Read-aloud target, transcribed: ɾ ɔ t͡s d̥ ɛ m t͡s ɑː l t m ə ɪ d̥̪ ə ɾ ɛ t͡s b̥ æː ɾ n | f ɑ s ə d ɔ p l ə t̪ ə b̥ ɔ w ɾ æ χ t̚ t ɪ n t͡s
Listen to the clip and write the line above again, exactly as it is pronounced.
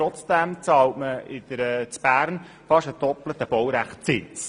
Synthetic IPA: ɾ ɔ t͡s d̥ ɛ m t͡s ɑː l t m ə ɪ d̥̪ ə ɾ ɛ t͡s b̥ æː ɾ n | f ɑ ʃ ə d ɔ p l ə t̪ ə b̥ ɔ w ɾ æ χ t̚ t͡s ɪ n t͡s